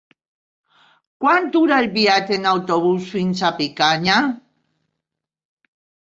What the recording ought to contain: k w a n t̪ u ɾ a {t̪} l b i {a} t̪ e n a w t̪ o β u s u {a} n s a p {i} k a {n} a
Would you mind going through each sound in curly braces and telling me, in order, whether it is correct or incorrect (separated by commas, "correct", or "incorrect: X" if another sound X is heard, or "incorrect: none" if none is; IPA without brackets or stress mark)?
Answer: incorrect: none, correct, incorrect: i, correct, incorrect: ɲ